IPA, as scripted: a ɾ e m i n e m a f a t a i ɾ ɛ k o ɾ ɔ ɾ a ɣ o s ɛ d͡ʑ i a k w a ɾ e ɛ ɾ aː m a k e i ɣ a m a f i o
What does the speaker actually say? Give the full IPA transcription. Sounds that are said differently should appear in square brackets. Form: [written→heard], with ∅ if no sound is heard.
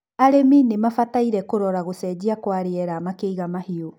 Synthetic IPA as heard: a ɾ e m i n e m a f a t a i ɾ ɛ k o ɾ ɔ ɾ a ɣ o s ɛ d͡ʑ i a k w a ɾ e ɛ ɾ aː m a k e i ɣ a m a [f→h] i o